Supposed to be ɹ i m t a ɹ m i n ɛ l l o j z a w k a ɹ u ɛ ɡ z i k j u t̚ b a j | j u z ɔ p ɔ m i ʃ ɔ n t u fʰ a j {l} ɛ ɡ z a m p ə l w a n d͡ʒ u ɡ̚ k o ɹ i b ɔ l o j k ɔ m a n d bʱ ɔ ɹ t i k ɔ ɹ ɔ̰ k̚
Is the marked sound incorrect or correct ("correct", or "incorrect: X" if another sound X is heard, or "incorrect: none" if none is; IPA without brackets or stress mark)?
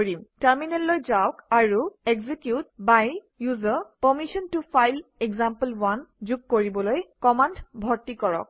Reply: correct